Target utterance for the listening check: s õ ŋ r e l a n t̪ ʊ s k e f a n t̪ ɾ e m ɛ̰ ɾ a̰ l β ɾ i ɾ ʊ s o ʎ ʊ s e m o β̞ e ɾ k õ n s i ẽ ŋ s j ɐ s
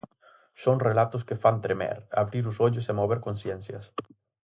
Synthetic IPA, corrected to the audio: s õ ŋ r e l a t̪ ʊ s k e f a n t̪ ɾ e m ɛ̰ ɾ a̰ β ɾ i ɾ ʊ s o ʎ ʊ s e m o β̞ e ɾ k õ n s j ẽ n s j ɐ s